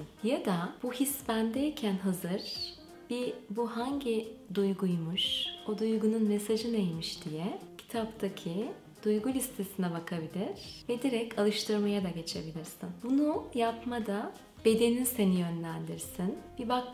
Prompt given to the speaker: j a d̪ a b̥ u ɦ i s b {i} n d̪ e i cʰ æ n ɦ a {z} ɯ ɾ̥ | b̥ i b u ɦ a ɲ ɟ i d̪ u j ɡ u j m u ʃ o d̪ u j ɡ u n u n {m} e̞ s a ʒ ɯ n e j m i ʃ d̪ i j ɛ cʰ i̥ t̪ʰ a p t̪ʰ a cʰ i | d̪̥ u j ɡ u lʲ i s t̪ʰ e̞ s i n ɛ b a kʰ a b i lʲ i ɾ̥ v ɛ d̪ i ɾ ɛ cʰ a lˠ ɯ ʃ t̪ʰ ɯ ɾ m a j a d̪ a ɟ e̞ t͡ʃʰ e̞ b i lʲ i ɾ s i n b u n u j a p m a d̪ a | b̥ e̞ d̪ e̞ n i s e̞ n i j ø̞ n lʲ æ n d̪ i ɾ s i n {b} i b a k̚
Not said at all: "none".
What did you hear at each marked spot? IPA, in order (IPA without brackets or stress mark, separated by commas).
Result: æ, z, m, b